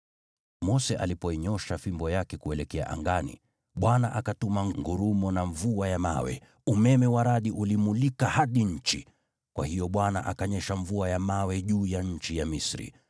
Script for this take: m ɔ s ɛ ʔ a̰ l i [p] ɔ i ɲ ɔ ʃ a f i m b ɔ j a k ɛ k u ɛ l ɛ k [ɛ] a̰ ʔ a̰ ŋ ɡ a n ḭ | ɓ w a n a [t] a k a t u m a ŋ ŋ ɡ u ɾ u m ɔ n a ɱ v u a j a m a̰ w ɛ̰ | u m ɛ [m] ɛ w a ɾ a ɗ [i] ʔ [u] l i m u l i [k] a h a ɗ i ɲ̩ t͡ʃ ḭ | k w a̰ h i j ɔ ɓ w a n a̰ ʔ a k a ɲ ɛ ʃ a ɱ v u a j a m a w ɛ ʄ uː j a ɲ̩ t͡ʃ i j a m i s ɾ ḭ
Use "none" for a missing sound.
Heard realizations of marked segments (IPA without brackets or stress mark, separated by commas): p, ɛ, ʔ, m, i, u, k